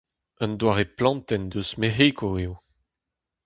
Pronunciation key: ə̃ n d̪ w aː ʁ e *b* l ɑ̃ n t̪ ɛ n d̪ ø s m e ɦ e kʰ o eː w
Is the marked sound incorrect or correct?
incorrect